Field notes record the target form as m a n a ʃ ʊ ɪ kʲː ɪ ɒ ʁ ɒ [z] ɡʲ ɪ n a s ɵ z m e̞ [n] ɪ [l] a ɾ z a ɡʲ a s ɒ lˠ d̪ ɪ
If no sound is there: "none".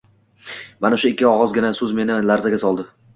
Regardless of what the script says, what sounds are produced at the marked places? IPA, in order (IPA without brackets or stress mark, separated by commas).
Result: z, n, l